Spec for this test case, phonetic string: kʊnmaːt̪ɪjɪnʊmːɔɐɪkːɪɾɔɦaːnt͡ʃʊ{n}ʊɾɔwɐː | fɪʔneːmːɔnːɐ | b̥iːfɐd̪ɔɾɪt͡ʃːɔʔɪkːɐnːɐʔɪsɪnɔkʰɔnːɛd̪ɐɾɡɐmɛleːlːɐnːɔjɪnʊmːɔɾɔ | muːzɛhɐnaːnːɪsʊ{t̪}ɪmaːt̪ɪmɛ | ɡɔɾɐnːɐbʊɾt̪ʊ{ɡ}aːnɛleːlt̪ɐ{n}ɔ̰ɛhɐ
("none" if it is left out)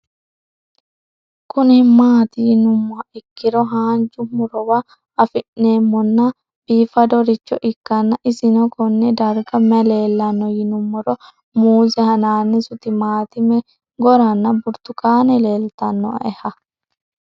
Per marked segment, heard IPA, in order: m, t̪, k, nː

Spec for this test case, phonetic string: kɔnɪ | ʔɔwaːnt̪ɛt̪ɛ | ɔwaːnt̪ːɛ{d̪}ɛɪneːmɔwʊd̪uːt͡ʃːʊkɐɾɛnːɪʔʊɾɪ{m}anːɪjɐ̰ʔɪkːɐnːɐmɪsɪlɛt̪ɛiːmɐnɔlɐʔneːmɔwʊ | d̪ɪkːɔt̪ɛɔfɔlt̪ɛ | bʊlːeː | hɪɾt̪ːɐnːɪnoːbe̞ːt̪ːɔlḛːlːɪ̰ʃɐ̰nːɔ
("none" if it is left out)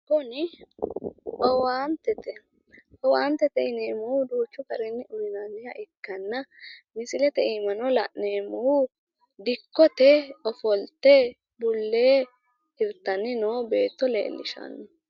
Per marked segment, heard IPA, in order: t̪, n

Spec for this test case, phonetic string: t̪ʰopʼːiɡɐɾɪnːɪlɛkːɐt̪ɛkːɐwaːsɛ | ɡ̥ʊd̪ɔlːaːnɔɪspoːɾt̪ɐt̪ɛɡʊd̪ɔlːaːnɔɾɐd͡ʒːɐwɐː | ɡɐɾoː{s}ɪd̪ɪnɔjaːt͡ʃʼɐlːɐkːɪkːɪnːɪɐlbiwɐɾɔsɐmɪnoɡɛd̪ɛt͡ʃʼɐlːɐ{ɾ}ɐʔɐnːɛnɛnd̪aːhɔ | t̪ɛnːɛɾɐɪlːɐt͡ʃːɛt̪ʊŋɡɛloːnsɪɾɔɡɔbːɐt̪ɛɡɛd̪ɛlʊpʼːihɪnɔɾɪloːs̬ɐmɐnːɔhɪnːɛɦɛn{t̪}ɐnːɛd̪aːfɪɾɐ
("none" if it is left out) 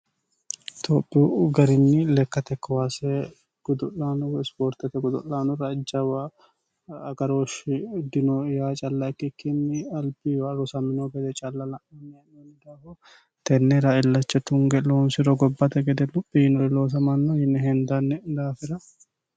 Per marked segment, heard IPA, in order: ʃ, l, d̪

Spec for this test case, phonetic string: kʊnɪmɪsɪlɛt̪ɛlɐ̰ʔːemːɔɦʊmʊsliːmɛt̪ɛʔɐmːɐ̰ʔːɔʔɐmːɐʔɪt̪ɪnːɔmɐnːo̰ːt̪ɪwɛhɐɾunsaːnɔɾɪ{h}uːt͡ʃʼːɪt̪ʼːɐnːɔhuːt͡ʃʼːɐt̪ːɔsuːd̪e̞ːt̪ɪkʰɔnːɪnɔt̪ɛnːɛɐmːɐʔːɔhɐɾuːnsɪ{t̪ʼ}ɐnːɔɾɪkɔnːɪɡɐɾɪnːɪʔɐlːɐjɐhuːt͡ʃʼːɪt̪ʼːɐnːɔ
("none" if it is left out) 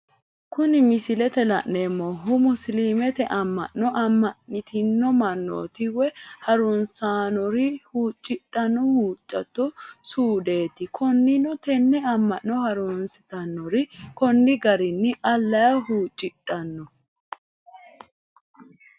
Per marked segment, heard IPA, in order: h, t̪

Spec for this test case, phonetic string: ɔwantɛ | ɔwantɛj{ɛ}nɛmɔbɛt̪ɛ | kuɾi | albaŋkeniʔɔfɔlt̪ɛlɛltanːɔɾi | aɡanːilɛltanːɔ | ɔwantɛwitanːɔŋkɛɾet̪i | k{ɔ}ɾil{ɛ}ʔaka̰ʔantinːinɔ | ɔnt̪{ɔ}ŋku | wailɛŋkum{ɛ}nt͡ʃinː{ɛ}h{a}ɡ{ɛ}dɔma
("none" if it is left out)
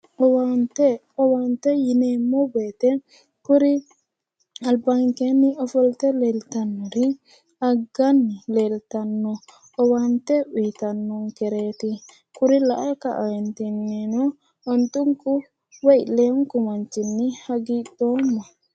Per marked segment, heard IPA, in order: i, u, a, u, a, i, a, i

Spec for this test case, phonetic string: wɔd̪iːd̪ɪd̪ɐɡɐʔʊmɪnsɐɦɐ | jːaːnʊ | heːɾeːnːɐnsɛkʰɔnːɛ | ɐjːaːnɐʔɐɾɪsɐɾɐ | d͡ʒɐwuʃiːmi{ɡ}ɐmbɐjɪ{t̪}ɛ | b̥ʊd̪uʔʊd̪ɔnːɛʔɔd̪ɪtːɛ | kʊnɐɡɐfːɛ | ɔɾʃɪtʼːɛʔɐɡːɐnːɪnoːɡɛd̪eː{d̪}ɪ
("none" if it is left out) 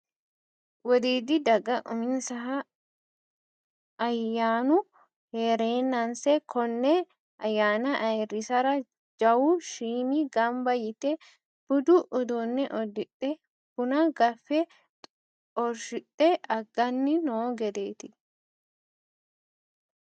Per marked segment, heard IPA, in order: ɡ, t̪, t̪

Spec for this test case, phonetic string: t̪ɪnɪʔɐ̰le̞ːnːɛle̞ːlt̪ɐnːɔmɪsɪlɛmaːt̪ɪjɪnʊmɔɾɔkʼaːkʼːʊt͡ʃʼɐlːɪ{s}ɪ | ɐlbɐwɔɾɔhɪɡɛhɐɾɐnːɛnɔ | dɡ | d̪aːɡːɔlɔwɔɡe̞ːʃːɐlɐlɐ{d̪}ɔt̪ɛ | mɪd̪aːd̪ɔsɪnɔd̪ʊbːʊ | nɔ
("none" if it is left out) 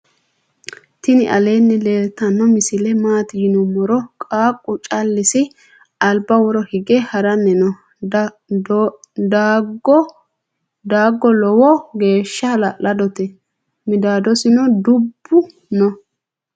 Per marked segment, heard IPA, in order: s, d̪

